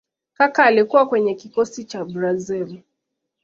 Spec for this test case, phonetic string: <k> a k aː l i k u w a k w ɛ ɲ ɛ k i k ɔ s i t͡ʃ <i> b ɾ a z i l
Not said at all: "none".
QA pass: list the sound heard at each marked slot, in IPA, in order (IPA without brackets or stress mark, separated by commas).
k, a